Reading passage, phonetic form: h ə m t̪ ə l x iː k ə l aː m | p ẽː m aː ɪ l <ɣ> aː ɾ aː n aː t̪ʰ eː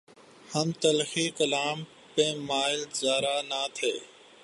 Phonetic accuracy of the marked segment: incorrect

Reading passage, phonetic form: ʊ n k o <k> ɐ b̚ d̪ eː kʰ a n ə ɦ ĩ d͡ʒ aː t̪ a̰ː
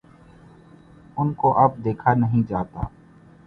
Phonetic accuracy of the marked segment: incorrect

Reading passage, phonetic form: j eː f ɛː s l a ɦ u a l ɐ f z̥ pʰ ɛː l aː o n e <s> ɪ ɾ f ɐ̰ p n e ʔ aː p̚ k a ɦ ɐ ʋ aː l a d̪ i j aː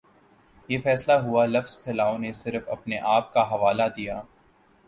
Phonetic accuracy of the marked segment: correct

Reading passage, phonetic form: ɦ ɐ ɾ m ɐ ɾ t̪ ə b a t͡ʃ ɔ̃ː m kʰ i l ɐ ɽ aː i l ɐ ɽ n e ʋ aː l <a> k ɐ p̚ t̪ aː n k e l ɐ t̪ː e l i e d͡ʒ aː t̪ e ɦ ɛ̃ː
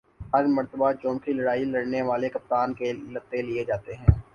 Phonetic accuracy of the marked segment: incorrect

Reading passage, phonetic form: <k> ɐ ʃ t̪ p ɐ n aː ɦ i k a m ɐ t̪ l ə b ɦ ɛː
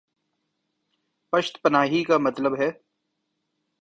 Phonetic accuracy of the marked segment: incorrect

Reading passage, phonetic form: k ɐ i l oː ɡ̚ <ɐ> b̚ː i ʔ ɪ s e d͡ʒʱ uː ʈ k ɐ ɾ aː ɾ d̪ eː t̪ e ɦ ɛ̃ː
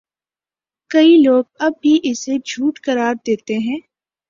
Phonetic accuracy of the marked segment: correct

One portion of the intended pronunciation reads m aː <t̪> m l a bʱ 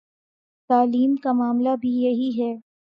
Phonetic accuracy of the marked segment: incorrect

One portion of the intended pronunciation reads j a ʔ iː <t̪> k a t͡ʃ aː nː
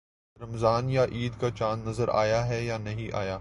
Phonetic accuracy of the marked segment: incorrect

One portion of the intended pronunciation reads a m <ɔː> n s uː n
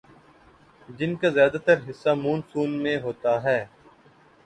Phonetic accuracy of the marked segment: incorrect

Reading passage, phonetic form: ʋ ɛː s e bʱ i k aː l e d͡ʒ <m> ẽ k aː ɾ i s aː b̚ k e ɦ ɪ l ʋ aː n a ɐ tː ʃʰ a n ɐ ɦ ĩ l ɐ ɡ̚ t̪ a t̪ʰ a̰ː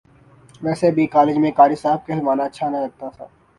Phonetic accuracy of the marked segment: correct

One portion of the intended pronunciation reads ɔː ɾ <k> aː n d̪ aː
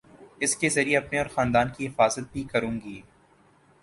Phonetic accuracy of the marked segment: incorrect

